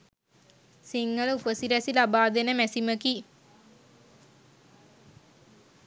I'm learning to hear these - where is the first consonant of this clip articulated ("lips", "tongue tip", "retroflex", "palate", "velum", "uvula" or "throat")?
tongue tip